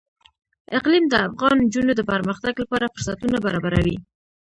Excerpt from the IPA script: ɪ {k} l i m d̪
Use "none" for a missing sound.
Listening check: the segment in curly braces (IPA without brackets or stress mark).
q